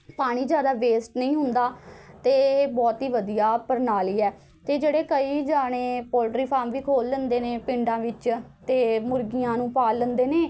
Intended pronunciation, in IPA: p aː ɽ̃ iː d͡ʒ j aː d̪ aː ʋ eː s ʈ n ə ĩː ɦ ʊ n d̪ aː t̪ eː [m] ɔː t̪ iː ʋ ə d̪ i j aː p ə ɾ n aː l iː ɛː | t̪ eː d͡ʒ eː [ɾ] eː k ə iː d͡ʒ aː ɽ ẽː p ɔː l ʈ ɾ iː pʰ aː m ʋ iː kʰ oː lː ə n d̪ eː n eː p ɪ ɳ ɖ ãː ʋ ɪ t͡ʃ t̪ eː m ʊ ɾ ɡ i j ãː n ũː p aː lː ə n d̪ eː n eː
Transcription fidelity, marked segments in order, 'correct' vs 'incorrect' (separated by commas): incorrect, incorrect